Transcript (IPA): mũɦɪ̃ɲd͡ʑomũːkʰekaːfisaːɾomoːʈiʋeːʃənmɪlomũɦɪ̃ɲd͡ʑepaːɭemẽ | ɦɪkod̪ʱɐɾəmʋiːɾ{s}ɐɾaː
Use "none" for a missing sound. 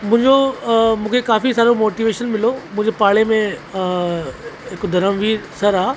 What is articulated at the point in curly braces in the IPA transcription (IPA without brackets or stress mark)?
s